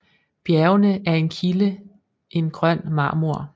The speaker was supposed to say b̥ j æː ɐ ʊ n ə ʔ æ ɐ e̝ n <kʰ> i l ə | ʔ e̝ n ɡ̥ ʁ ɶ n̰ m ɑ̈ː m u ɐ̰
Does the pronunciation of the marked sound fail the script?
no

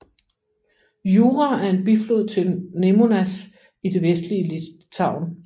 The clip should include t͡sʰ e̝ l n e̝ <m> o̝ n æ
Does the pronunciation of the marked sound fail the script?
no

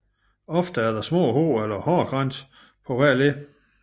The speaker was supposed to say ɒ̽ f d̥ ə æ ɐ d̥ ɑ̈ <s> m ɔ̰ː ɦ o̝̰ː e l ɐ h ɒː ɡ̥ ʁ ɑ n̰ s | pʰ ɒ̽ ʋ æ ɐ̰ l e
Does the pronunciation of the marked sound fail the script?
no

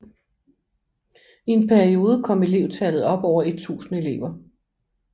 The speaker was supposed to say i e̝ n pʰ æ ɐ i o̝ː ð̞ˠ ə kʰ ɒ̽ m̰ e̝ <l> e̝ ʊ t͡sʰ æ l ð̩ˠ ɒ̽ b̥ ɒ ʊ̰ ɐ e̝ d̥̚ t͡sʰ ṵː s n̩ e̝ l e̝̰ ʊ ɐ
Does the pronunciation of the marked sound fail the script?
no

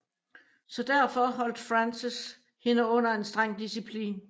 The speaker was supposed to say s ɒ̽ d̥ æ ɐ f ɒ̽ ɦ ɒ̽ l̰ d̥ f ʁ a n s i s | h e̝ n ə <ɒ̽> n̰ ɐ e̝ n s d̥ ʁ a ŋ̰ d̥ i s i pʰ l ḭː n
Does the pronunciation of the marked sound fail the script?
yes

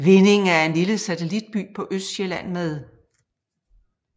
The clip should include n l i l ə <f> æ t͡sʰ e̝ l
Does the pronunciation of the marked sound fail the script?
yes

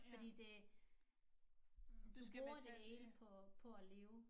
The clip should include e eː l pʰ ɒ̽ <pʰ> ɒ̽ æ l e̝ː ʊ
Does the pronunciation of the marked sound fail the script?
no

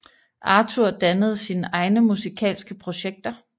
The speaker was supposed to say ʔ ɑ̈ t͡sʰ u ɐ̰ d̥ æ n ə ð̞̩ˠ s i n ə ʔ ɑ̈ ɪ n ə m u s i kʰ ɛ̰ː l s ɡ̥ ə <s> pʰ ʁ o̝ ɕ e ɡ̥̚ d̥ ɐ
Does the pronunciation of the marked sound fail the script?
yes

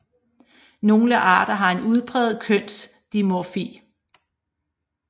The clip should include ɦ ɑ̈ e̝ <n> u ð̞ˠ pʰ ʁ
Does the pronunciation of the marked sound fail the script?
no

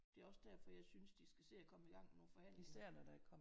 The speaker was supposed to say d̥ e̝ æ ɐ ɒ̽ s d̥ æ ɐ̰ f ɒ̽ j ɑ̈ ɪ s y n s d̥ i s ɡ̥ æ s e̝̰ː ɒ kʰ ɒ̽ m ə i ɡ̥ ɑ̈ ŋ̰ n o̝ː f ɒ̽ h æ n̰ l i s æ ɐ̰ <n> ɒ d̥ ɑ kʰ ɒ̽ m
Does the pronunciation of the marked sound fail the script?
no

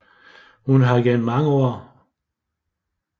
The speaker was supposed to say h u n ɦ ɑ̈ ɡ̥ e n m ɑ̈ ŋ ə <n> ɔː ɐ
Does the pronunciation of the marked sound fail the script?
yes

